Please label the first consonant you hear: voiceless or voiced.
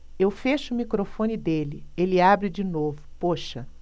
voiced